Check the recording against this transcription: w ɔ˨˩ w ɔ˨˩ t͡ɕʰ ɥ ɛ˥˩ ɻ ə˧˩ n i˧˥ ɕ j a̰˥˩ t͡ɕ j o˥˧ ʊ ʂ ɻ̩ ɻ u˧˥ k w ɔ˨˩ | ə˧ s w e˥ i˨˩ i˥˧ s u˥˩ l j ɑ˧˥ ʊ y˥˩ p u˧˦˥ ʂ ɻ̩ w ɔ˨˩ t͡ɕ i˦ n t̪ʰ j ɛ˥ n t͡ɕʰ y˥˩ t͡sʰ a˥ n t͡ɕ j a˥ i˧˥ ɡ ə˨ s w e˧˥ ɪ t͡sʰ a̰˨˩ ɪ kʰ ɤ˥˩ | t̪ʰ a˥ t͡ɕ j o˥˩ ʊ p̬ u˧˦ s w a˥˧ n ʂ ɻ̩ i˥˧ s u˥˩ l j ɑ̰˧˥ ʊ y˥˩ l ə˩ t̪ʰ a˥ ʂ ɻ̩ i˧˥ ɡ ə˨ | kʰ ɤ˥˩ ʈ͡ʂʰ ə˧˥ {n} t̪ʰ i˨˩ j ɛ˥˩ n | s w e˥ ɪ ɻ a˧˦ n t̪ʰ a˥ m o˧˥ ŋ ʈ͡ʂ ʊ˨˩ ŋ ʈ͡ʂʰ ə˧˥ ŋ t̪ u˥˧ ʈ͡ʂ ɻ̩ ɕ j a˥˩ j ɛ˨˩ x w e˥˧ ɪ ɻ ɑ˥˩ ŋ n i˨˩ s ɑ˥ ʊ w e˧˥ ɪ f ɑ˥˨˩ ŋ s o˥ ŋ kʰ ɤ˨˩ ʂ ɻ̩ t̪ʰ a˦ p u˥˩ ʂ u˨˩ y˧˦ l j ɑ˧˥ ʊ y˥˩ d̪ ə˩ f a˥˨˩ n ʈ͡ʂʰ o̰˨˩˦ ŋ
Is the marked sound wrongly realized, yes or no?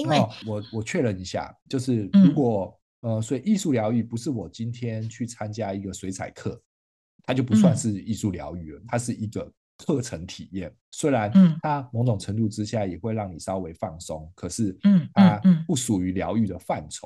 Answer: yes